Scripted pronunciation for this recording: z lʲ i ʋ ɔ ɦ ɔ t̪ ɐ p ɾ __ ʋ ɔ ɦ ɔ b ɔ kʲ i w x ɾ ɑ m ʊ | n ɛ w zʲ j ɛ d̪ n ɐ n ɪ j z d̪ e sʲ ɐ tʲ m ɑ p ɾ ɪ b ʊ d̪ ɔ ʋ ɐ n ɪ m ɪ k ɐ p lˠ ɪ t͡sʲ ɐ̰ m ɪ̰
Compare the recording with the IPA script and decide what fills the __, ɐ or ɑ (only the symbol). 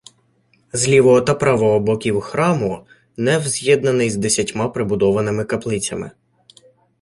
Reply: ɑ